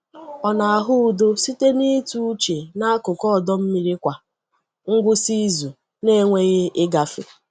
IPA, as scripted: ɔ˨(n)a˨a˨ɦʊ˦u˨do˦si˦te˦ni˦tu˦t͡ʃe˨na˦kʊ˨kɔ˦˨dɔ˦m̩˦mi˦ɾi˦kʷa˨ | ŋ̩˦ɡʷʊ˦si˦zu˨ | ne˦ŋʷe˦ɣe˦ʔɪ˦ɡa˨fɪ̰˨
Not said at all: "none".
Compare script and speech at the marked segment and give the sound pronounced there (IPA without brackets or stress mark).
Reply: n